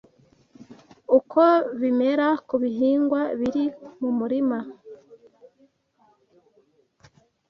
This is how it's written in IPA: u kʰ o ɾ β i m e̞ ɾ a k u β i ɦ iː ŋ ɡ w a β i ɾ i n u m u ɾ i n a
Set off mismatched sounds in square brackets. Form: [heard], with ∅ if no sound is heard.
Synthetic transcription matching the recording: u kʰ o [∅] β i m e̞ ɾ a k u β i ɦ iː ŋ ɡ w a β i ɾ i [m] u m u ɾ i [m] a